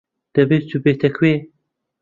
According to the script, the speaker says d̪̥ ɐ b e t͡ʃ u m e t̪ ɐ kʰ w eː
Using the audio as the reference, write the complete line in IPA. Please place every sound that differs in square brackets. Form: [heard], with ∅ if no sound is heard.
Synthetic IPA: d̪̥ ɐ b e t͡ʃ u [b] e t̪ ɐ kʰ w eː